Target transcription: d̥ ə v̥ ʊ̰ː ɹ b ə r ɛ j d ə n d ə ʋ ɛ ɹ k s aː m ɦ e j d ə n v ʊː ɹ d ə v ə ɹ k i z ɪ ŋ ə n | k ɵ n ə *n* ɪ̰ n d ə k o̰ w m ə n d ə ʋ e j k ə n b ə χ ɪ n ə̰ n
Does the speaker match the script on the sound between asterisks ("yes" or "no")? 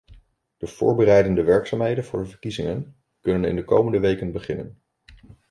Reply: yes